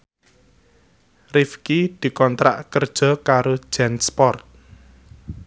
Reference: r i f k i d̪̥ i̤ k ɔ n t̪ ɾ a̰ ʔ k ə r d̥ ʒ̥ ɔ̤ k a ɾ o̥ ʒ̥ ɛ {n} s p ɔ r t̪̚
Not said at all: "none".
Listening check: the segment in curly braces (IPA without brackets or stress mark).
n